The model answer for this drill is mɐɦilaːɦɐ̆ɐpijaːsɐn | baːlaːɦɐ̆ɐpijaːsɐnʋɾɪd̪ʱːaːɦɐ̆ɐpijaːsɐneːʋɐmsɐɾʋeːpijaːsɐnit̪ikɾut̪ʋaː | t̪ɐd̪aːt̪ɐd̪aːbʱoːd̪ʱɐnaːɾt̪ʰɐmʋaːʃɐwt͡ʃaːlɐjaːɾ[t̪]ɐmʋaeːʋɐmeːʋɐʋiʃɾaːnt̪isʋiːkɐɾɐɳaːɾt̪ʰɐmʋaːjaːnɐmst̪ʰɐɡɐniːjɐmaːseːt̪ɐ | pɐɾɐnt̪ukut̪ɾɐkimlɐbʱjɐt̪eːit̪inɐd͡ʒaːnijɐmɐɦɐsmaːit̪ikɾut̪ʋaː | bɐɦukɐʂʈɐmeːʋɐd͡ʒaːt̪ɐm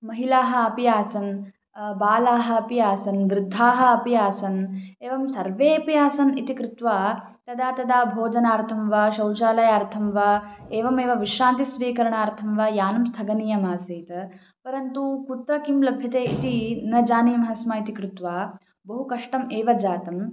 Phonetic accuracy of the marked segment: incorrect: t̪ʰ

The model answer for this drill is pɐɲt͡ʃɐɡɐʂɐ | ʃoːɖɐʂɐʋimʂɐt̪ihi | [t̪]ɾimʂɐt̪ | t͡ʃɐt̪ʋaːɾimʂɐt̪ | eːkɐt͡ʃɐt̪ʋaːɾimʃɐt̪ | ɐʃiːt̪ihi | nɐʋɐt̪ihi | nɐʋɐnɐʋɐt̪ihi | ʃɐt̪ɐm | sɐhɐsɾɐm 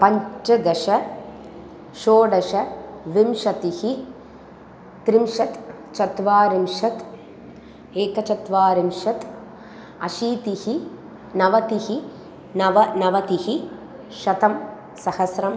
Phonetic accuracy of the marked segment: correct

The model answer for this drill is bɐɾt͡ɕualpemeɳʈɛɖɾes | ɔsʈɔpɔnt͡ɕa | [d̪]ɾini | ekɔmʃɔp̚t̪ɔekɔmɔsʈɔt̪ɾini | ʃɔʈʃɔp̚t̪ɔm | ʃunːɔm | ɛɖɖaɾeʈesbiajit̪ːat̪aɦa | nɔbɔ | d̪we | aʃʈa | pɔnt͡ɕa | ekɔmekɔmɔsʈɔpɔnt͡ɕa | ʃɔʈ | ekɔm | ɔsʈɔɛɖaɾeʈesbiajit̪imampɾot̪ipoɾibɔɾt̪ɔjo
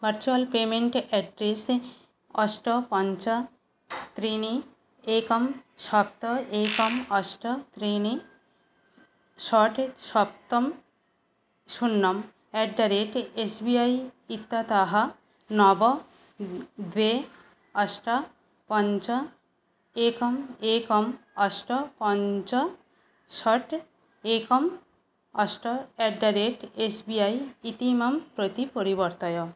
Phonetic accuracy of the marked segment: incorrect: t̪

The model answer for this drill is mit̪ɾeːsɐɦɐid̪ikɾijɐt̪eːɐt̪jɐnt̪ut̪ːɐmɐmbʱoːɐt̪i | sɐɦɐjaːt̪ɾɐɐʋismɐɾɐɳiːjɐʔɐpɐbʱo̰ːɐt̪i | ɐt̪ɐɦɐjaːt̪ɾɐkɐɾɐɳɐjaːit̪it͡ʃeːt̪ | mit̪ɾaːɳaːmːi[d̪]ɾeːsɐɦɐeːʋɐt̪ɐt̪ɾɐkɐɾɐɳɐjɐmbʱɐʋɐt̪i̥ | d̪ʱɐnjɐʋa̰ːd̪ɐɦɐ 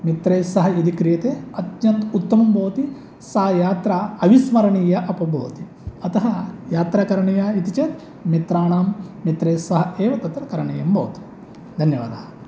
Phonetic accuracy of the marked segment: incorrect: t̪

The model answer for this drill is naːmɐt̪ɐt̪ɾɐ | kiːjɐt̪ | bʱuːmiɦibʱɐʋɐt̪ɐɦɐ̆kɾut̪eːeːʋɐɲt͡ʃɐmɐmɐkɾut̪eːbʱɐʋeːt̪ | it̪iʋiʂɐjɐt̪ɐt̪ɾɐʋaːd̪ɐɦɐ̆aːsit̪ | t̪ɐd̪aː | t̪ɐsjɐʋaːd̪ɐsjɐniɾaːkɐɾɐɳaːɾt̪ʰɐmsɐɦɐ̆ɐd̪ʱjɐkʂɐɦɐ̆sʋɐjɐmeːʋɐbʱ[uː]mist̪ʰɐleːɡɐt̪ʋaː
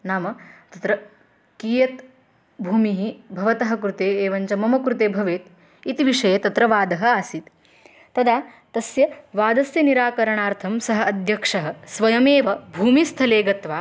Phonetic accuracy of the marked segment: correct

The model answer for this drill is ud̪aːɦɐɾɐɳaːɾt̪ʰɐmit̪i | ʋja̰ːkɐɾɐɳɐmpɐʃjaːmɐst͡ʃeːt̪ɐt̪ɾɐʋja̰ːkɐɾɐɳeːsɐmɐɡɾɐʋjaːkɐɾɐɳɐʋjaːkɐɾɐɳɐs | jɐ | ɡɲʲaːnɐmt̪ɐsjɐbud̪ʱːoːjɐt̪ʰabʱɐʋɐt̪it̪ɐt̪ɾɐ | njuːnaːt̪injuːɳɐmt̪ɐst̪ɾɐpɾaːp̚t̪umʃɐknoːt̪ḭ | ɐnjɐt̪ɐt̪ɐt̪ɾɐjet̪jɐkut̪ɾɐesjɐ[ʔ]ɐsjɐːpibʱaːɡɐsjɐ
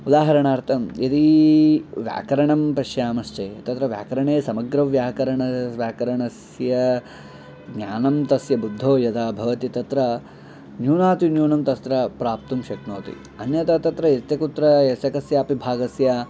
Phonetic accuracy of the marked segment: incorrect: k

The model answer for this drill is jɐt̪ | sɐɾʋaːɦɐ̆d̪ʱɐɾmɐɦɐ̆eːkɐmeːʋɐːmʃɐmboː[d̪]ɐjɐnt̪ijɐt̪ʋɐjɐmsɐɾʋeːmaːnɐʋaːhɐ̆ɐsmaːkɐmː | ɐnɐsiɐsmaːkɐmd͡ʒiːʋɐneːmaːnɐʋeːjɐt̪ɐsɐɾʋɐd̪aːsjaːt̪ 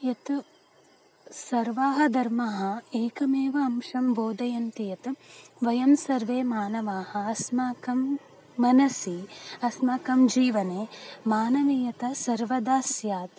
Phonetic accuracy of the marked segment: correct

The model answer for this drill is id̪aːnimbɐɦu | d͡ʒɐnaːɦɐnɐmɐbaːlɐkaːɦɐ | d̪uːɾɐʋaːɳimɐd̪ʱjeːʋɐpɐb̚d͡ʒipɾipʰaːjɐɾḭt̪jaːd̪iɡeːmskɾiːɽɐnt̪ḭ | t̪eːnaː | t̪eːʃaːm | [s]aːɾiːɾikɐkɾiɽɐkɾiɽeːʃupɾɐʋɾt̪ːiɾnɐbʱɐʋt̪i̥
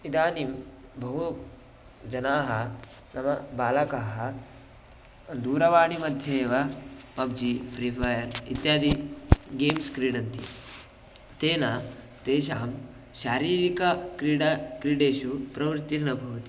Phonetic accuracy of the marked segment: incorrect: ʃ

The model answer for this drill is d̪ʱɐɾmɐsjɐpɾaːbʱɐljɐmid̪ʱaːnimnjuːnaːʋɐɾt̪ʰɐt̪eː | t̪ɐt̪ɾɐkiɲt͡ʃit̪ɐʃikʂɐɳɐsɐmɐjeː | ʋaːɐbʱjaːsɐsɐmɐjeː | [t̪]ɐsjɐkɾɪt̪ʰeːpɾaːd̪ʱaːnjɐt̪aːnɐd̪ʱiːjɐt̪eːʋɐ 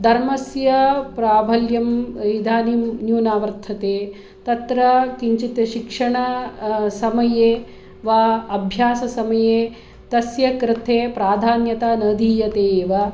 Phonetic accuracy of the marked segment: correct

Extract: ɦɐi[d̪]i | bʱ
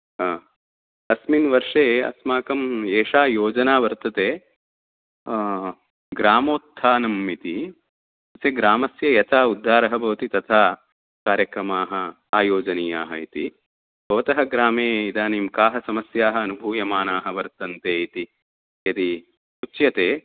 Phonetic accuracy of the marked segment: incorrect: t̪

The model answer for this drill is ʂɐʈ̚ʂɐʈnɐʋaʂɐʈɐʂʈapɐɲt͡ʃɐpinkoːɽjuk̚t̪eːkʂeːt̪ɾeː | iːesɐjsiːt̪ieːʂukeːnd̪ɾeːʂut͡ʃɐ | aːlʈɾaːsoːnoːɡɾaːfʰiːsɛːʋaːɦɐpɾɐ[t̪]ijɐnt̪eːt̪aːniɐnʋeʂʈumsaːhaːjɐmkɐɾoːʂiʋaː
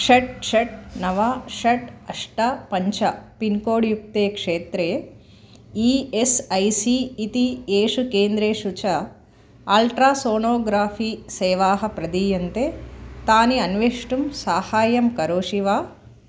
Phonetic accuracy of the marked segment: incorrect: d̪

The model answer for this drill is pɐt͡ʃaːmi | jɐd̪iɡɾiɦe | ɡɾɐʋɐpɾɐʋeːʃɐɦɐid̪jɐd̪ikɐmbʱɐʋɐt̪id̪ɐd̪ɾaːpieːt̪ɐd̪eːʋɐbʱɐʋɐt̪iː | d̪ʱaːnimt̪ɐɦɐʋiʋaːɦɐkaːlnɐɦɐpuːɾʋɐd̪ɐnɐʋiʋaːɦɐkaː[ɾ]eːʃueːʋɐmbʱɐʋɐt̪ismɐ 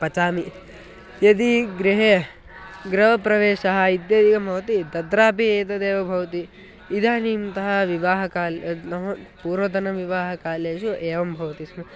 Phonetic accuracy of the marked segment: incorrect: l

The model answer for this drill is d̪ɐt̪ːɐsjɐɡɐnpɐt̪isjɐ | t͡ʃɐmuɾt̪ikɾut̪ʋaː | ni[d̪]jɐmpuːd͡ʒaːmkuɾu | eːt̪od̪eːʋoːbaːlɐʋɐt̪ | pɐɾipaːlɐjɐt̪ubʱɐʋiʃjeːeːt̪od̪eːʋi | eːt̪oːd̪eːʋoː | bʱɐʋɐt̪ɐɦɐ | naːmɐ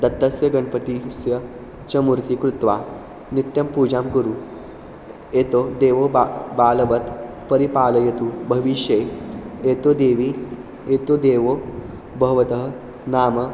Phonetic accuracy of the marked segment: incorrect: t̪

